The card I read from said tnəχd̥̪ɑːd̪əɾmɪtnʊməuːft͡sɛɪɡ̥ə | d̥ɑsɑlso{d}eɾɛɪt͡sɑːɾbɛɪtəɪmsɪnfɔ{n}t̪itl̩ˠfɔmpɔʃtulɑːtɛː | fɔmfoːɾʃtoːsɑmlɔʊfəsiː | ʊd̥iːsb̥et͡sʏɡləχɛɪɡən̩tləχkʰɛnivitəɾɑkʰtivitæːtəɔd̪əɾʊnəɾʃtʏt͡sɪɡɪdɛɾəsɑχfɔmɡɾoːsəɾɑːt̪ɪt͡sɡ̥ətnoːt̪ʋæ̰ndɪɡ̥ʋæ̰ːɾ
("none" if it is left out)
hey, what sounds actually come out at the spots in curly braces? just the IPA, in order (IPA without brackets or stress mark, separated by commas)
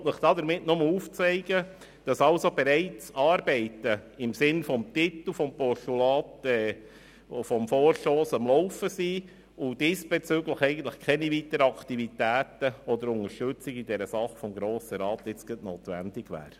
b, m